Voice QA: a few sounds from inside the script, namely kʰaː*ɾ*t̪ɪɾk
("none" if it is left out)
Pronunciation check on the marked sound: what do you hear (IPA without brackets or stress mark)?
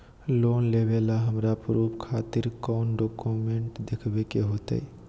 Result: none